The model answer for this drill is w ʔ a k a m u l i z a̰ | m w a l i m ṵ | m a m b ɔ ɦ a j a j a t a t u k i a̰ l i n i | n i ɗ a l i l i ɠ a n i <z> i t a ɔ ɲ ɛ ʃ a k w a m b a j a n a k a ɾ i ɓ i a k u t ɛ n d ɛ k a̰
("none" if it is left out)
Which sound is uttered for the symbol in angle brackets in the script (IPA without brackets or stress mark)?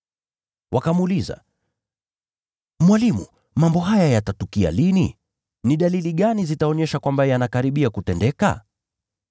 z